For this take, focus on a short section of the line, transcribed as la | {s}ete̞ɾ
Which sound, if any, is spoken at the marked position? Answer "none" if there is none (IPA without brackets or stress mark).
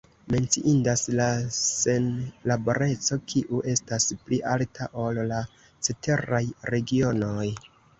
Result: t͡s